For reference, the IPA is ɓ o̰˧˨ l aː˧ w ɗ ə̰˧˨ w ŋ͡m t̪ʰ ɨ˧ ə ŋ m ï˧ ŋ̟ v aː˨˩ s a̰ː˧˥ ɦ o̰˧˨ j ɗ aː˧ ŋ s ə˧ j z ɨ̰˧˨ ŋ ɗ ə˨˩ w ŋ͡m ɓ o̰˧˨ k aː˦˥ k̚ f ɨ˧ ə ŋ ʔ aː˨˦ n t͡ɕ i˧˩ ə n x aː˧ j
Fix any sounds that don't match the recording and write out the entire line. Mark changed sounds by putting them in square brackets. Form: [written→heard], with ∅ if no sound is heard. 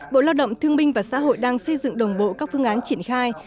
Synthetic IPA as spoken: ɓ o̰˧˨ l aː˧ w ɗ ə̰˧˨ w ŋ͡m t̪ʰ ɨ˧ ə ŋ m ï˧ ŋ̟ v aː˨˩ s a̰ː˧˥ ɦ o̰˧˨ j ɗ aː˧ ŋ s ə˧ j z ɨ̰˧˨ ŋ ɗ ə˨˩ w ŋ͡m ɓ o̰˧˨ k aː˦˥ k̚ f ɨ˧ ə ŋ ʔ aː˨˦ n t͡ɕ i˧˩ ə n x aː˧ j